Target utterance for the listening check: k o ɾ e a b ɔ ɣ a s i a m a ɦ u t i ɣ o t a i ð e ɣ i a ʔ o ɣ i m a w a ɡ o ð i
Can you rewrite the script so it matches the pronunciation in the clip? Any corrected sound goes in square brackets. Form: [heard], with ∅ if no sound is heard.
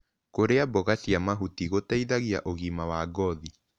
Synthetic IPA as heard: k o ɾ e a b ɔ ɣ a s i a m a ɦ u t i ɣ o t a i ð [a] ɣ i a ʔ o ɣ i m a w a ɡ [ɔ] ð i

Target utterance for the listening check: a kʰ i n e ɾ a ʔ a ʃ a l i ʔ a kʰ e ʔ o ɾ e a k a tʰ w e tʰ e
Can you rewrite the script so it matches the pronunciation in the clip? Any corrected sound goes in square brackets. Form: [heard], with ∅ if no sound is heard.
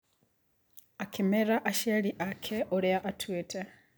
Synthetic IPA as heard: a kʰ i [m] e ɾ a ʔ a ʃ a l i ʔ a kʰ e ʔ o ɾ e a [ʔ] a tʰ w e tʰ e

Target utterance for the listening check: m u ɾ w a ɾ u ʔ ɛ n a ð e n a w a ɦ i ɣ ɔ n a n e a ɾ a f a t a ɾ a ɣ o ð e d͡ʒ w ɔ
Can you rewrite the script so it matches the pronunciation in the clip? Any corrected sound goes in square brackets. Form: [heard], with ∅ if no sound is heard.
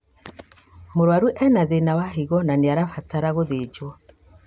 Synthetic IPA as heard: m [o] ɾ w a ɾ u ʔ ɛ n a ð e n a w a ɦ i ɣ ɔ n a n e a ɾ a f a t a ɾ a ɣ o ð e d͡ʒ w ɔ

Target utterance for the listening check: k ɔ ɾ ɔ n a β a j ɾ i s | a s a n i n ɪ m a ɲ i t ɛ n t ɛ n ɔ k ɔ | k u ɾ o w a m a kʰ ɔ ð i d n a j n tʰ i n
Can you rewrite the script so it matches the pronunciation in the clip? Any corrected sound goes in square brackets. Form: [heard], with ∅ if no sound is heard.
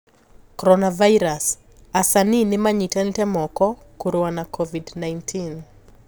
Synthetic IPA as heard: k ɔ ɾ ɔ n a [v] a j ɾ [a] s | a s a n i n ɪ m a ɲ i t ɛ n t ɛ [m] ɔ k ɔ | k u ɾ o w a [n] a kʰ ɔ [v] i d n a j n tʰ i n

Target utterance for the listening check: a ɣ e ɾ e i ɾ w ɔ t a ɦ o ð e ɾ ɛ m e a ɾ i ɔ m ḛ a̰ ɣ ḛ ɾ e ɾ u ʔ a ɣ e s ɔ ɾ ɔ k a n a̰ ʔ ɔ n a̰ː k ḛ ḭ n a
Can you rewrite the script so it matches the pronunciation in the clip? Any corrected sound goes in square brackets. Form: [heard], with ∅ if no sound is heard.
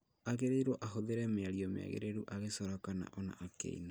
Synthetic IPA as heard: a ɣ e ɾ e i ɾ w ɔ [ʔ] a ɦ o ð e ɾ ɛ m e a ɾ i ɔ m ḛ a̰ ɣ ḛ ɾ e ɾ u ʔ a ɣ e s ɔ ɾ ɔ k a n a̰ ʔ ɔ n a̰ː k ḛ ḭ n a

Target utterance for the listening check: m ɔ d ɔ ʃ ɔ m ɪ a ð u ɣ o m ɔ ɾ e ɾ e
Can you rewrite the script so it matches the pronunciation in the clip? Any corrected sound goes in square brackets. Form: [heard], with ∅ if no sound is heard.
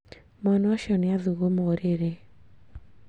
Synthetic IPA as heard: m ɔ [n] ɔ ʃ ɔ [n] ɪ a ð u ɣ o m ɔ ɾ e ɾ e

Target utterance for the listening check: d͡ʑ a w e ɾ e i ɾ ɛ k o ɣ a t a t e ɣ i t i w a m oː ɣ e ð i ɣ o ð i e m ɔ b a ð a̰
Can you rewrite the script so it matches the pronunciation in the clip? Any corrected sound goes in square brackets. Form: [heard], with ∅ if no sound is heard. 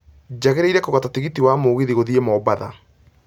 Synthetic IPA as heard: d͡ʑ a [ɣ] e ɾ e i ɾ ɛ k o ɣ a t a t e ɣ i t i w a m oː ɣ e ð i ɣ o ð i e m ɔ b a ð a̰

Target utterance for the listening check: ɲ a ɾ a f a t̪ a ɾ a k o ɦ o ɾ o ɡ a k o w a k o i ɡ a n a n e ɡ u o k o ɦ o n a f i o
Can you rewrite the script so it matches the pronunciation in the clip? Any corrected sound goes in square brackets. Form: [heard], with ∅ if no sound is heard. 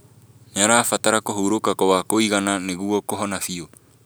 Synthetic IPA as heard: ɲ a ɾ a f a t̪ a ɾ a k o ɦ [u] ɾ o [k] a k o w a k o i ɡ a n a n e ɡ u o k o ɦ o n a f i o

